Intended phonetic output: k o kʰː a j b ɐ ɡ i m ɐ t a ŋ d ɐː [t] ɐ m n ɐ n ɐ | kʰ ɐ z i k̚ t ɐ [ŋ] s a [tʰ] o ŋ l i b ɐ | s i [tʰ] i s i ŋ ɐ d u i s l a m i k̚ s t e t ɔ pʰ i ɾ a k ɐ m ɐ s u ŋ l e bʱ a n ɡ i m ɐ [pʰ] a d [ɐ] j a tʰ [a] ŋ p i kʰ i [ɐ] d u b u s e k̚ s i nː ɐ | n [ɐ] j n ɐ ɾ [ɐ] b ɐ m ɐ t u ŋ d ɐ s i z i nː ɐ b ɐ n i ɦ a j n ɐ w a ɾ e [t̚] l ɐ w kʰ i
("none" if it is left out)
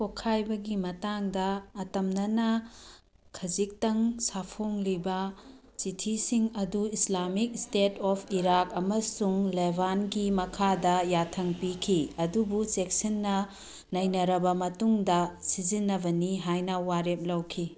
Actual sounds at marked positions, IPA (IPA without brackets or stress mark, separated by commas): t, ŋ, pʰ, tʰ, kʰ, ɐ, ɐ, ɐ, ɐ, ɐ, p̚